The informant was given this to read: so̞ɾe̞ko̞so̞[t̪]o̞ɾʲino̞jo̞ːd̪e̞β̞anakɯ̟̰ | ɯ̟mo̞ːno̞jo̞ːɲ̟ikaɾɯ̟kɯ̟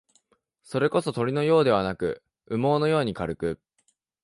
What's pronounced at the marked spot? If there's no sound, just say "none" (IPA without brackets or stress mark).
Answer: t̪